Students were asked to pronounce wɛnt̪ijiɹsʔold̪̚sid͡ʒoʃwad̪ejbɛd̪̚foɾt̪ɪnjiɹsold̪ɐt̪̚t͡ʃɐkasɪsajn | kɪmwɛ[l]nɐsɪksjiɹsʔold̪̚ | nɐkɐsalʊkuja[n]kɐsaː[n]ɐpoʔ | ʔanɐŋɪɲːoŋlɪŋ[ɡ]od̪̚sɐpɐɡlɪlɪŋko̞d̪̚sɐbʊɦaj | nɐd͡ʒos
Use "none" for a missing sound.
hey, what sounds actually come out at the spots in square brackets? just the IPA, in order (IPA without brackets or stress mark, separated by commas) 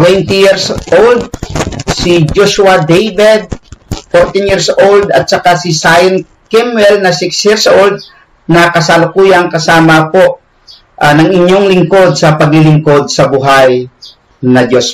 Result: l, ŋ, m, k